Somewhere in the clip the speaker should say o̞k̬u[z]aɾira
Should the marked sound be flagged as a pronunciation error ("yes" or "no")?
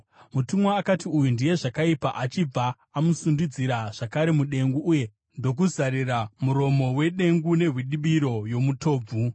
no